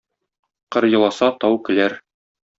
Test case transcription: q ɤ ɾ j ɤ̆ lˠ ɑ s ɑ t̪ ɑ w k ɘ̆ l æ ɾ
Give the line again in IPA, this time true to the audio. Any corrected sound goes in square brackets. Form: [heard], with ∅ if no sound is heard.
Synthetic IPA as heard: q ɤ ɾ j ɤ̆ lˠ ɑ s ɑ t̪ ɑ w k ɘ̆ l æ ɾ